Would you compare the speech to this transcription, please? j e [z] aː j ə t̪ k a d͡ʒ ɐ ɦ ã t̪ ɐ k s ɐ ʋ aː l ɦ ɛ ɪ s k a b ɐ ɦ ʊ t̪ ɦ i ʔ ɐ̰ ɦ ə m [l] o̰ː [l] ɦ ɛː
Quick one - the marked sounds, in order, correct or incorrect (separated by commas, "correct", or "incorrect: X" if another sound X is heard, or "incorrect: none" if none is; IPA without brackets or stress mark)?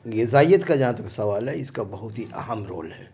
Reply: correct, incorrect: ɾ, correct